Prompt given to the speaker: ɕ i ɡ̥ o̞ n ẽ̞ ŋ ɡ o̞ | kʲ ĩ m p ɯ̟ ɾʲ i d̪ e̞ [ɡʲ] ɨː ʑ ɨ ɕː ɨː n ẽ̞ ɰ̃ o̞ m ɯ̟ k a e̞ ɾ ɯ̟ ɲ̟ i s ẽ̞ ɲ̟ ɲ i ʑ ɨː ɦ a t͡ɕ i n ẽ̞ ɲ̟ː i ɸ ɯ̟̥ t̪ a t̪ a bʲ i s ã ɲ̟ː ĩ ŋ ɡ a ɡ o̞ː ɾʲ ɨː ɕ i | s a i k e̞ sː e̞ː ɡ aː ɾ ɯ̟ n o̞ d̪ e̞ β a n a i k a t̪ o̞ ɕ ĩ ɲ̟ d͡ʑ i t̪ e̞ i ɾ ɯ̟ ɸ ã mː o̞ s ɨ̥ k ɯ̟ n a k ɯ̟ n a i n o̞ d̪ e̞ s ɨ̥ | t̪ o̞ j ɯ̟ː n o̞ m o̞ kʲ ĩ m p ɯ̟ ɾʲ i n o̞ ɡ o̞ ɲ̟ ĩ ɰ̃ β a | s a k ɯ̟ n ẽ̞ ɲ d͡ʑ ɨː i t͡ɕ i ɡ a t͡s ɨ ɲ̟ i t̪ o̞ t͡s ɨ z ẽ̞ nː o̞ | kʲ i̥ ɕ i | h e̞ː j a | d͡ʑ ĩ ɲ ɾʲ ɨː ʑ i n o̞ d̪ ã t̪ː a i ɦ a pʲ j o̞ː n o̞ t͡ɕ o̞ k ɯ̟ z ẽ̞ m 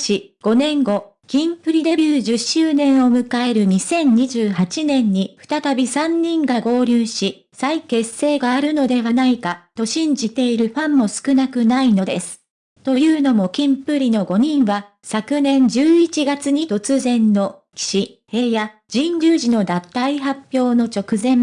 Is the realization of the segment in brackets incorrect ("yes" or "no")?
yes